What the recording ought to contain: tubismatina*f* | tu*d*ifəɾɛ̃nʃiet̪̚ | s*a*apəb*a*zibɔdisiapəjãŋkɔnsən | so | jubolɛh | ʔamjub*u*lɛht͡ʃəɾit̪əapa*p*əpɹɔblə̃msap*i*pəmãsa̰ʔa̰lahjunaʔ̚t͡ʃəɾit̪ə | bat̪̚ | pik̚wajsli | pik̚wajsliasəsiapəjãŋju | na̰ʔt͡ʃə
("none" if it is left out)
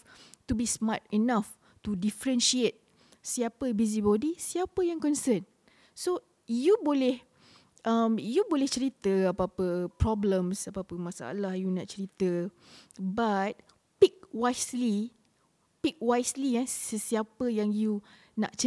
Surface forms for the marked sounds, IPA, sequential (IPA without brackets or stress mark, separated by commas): f, d, i, i, o, p, a